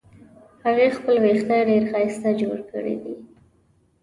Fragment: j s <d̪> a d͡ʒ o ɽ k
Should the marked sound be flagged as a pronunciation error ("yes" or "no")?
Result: yes